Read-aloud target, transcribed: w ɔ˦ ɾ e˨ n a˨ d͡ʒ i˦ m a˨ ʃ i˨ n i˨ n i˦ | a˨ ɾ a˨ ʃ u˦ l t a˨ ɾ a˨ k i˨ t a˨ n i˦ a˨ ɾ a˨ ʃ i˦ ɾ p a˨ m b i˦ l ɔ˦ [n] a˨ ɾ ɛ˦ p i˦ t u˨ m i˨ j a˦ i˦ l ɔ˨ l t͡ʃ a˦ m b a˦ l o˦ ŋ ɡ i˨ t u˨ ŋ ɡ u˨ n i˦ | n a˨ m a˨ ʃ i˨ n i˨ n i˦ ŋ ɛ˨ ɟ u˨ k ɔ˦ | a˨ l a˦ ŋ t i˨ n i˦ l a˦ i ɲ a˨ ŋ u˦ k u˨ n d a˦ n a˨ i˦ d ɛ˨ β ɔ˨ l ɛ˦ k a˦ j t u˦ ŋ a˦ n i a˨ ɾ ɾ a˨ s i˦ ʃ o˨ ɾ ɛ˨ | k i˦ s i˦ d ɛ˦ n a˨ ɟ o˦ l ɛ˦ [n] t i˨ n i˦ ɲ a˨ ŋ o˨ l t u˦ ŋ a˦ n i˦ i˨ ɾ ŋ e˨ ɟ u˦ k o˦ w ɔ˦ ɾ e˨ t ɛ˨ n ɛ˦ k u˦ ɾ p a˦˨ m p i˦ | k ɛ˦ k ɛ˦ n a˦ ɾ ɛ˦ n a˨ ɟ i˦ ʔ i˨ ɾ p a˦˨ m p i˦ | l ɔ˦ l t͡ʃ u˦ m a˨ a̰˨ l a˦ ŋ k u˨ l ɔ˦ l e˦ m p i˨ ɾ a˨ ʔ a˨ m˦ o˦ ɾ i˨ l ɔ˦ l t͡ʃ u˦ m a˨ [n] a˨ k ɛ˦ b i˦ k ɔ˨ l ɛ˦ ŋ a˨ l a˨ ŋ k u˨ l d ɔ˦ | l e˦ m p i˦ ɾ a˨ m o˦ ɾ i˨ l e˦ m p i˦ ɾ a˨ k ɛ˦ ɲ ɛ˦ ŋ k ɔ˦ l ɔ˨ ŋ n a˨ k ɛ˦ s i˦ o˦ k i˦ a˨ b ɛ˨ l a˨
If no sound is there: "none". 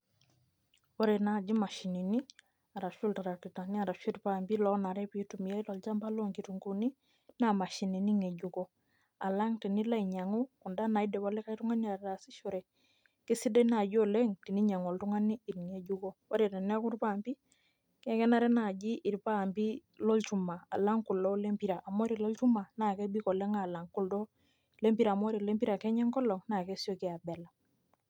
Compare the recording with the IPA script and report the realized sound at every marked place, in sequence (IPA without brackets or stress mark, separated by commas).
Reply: n, ŋ, n